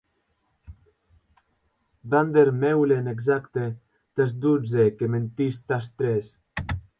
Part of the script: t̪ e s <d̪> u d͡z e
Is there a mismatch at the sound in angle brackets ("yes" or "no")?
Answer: no